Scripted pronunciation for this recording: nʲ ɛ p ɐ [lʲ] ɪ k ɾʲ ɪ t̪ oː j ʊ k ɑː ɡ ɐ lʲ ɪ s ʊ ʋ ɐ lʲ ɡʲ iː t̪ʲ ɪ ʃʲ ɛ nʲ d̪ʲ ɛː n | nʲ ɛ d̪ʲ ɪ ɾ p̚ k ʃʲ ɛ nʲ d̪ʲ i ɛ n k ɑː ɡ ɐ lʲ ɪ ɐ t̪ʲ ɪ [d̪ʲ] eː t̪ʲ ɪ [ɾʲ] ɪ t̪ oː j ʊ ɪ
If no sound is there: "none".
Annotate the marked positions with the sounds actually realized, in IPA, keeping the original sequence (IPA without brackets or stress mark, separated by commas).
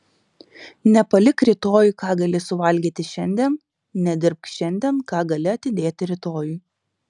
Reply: lʲ, d̪ʲ, ɾʲ